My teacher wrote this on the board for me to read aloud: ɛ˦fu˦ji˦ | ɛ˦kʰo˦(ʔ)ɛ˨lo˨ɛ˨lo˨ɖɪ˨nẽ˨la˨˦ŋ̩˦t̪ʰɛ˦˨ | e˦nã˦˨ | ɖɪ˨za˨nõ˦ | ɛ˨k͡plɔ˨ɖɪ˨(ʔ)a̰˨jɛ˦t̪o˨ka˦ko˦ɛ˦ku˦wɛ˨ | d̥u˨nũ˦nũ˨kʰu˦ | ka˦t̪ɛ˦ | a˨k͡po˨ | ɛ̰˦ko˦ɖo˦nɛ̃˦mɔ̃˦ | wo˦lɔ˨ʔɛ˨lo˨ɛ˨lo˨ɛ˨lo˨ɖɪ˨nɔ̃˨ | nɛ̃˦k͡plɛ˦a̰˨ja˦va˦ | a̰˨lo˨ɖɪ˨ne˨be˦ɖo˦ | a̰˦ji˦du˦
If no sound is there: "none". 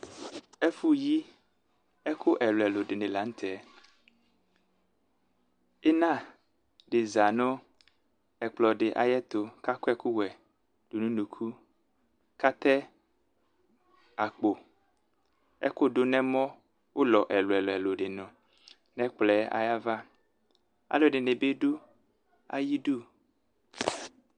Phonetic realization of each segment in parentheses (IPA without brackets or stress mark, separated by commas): ʔ, ʔ